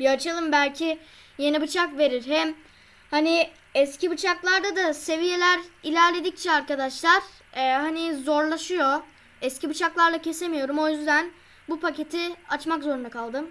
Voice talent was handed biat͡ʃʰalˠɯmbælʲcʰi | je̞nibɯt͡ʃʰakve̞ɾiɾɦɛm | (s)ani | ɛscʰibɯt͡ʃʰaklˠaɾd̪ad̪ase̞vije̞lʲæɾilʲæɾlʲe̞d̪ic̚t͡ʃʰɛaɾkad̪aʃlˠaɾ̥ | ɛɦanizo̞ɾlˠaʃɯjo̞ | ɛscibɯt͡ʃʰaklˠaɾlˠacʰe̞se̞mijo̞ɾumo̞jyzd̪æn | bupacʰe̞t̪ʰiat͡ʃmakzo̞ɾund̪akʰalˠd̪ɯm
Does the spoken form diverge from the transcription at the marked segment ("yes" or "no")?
yes